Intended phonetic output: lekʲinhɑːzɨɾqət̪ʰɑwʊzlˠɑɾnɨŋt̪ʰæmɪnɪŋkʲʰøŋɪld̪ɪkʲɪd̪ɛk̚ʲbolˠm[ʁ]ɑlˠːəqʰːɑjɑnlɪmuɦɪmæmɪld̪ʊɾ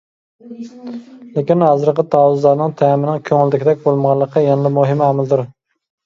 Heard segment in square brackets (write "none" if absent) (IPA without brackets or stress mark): ʁ